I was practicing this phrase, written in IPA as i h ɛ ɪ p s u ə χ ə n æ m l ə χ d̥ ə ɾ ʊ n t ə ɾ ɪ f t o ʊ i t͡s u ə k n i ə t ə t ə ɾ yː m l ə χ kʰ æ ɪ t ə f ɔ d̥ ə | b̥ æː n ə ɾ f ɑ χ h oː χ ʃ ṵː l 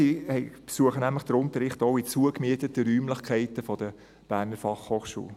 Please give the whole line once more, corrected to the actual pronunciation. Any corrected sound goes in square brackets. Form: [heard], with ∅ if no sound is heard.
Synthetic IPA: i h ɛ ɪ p s u ə χ ə n æ m l ə χ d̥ ə ɾ ʊ n t ə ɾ ɪ [χ] t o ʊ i t͡s u ə k [m] i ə t ə t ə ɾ yː m l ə χ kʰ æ ɪ t ə f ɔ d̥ ə | b̥ æː n ə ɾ f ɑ χ h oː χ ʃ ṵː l